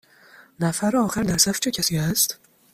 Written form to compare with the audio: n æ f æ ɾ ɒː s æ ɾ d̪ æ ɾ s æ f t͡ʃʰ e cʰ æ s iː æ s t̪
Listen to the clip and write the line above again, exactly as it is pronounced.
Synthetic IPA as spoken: n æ f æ ɾ ɒː x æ ɾ d̪ æ ɾ s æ f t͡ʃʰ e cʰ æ s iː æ s t̪